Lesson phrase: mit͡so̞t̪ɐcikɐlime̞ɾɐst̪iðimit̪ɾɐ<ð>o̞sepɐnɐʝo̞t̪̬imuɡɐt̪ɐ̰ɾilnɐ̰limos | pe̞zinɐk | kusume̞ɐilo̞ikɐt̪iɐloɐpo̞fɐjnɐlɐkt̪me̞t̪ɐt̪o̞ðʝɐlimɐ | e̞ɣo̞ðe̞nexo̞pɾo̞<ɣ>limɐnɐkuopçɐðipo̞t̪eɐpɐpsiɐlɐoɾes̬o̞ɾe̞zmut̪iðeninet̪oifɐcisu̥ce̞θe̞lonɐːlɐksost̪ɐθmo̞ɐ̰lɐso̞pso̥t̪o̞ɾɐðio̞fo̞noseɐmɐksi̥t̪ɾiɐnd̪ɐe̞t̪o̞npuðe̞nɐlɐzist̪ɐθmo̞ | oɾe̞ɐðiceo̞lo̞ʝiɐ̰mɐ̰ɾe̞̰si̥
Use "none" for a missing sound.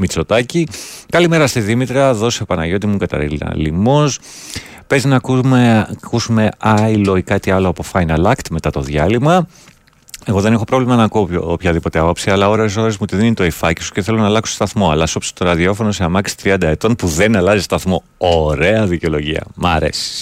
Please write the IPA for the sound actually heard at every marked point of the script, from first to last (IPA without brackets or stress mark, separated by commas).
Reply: ð, v